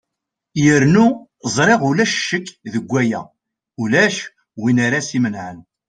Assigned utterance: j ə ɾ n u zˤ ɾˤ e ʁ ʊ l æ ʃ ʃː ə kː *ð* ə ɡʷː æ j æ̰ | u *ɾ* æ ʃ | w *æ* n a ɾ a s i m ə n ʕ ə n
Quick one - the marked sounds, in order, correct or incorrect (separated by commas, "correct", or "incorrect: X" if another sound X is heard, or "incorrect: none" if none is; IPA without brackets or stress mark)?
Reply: correct, incorrect: l, incorrect: i